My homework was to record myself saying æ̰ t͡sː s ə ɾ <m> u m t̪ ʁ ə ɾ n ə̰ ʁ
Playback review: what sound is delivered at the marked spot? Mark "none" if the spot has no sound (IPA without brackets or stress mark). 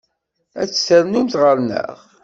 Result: n